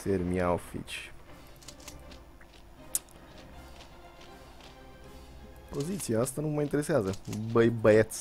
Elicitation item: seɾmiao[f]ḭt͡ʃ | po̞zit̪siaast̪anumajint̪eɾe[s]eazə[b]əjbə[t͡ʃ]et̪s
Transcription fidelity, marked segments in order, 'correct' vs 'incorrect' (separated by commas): correct, correct, correct, incorrect